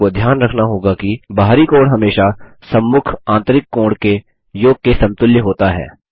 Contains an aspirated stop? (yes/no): yes